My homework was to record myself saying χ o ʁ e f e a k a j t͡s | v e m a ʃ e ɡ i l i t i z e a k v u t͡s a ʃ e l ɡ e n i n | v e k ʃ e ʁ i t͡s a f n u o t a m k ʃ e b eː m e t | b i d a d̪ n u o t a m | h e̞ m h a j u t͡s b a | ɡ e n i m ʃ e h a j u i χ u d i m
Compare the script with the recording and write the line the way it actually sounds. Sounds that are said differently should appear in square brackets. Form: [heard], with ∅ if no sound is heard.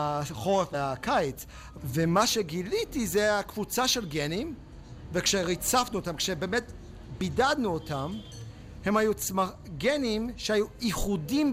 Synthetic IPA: χ o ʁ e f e a k a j t͡s | v e m a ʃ e ɡ i l i t i z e a k v u t͡s a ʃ e l ɡ e n i [m] | v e k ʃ e ʁ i t͡s a f n u o t a m k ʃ e b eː m e t | b i d a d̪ n u o t a m | h e̞ m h a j u t͡s [m] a | ɡ e n i m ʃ e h a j u i χ u d i m